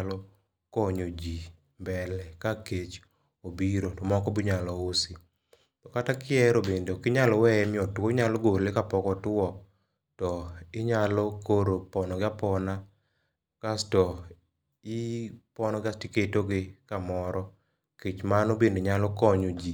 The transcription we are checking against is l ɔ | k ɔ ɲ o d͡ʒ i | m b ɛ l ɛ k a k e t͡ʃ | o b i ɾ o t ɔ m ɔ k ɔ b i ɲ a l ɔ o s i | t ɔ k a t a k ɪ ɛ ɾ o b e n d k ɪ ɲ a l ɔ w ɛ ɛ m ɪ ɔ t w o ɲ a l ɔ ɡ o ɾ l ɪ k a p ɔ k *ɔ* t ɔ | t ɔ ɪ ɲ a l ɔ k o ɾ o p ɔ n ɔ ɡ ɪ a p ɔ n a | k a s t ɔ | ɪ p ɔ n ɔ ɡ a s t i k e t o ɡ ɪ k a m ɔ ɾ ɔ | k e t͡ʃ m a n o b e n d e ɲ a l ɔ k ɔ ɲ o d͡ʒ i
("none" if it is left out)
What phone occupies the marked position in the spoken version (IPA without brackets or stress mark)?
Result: ɔ